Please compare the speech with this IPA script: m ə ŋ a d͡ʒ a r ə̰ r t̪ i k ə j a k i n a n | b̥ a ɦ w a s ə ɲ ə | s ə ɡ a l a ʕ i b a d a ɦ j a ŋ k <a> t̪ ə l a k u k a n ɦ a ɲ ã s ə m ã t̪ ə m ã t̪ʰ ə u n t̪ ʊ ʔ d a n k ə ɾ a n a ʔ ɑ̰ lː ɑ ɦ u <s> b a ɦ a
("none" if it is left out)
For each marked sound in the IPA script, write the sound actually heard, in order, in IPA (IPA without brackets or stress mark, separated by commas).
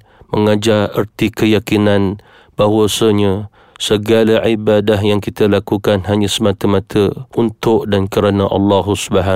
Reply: i, s